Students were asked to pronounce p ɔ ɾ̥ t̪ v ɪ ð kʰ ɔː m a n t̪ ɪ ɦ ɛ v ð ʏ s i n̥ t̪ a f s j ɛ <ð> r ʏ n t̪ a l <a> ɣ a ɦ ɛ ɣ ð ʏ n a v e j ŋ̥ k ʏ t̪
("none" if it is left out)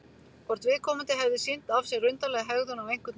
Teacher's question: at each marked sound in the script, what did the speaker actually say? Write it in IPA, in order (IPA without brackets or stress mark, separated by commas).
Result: ɣ, ɛ